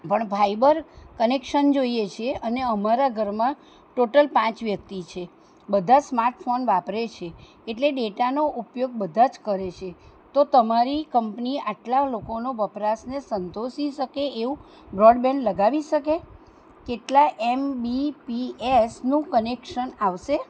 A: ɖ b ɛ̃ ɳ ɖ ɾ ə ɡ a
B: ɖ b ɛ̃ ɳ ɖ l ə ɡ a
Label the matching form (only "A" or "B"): B